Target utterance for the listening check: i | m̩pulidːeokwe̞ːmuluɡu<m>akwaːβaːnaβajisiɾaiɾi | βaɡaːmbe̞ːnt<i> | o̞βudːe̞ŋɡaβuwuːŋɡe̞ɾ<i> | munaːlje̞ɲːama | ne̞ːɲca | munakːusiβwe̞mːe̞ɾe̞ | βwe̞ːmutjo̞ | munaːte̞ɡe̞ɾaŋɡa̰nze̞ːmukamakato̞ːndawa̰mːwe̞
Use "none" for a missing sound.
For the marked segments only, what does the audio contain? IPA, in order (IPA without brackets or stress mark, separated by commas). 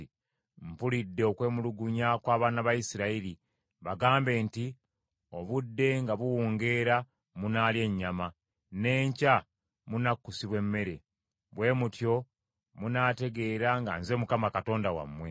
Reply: ɲ, i, a